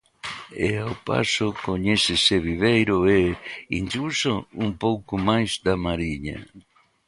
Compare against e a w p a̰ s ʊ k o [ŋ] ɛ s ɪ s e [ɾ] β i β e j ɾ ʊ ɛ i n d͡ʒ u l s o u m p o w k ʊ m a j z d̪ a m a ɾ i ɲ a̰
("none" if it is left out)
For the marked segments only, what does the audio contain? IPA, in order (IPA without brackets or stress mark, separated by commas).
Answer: ɲ, none